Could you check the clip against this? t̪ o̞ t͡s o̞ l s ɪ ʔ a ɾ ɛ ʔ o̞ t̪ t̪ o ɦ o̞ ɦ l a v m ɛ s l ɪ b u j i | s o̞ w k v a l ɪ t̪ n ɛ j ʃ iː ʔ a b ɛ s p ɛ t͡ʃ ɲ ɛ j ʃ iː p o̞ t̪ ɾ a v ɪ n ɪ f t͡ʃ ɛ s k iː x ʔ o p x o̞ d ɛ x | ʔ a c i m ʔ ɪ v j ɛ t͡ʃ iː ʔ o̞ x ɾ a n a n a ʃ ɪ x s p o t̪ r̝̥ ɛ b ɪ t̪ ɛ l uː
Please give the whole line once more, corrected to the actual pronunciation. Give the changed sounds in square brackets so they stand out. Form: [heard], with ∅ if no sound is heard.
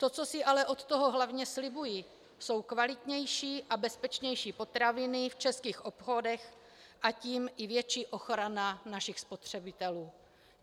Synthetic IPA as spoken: t̪ o̞ t͡s o̞ [∅] s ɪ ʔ a [l] ɛ ʔ o̞ t̪ t̪ o ɦ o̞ ɦ l a v [ɲ] ɛ s l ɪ b u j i | s o̞ w k v a l ɪ t̪ [ɲ] ɛ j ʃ iː ʔ a b ɛ s p ɛ t͡ʃ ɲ ɛ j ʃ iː p o̞ t̪ ɾ a v ɪ n ɪ f t͡ʃ ɛ s k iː x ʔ o p x o̞ d ɛ x | ʔ a c [iː] m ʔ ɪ v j ɛ t͡ʃ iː ʔ o̞ x ɾ a n a n a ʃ ɪ x s p o t̪ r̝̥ ɛ b ɪ t̪ ɛ l uː